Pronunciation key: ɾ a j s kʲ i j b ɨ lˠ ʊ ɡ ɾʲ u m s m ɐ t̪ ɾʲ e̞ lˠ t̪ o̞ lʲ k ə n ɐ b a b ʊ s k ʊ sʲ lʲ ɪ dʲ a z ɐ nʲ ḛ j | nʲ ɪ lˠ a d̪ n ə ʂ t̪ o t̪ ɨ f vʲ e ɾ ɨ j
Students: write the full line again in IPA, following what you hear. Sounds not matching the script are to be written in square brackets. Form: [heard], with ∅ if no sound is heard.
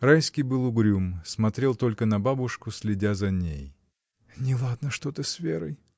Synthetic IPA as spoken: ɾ a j s kʲ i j b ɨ lˠ ʊ ɡ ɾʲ u m s m ɐ t̪ ɾʲ e̞ lˠ t̪ o̞ lʲ k ə n ɐ b a b ʊ [ʂ] k ʊ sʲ lʲ ɪ dʲ a z ɐ nʲ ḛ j | nʲ ɪ lˠ a d̪ n ə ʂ t̪ o t̪ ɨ [s] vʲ e ɾ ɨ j